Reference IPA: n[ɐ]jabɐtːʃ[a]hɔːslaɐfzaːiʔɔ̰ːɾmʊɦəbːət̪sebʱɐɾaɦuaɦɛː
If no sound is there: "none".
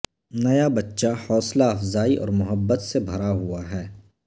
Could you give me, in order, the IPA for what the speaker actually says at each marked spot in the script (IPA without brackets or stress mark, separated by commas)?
ɐ, a